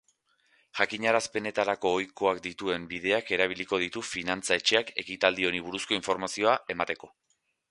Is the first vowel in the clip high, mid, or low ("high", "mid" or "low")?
low